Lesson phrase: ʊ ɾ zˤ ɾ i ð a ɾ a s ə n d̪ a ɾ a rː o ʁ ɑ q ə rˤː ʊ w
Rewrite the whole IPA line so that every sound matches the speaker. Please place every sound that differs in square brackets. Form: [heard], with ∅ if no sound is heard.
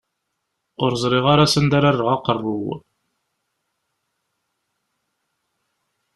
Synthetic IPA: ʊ ɾ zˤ ɾ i [ʁ] a ɾ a s ə n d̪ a ɾ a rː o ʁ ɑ q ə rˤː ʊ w